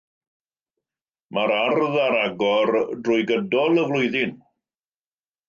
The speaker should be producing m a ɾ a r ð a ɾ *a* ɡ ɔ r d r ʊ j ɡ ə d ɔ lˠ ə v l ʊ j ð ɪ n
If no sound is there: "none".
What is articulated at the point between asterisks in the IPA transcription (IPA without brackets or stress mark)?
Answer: a